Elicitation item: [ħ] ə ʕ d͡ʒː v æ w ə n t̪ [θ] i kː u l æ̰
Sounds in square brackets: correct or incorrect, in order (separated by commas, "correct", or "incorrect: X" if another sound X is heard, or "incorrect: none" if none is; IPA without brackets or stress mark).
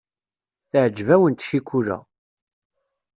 incorrect: θ, incorrect: ʃ